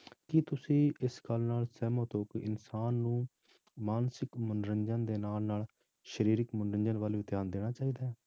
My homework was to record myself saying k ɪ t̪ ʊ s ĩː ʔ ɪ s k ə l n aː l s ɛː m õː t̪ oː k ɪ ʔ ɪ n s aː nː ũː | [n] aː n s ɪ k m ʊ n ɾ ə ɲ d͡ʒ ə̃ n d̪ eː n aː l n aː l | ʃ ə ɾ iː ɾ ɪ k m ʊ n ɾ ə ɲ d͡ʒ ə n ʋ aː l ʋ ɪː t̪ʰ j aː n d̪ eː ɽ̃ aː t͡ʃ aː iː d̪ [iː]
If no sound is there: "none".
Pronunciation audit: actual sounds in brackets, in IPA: m, aː

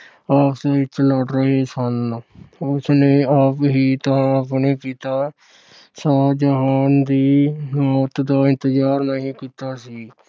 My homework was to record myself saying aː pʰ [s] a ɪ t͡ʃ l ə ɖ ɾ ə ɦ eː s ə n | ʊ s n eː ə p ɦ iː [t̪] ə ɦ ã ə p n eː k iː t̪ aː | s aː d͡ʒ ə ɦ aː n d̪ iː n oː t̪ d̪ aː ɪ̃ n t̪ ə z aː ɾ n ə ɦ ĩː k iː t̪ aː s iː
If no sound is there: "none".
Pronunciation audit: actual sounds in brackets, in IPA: s, t̪

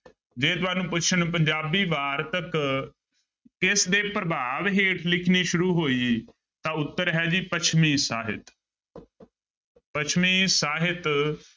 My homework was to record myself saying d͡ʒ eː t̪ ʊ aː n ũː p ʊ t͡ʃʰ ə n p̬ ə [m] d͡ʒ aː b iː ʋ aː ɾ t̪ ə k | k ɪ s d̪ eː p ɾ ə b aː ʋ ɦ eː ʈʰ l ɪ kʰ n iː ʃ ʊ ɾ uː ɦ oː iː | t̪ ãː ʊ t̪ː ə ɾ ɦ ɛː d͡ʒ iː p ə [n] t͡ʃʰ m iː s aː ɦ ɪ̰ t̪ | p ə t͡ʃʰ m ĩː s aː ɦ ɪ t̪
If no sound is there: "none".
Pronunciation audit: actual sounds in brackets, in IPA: ɲ, none

